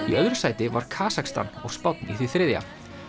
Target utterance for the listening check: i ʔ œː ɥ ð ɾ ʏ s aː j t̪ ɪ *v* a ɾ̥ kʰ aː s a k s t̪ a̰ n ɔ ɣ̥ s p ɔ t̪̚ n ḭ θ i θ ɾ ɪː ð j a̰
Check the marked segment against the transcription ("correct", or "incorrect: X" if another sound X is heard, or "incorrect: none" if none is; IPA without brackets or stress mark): correct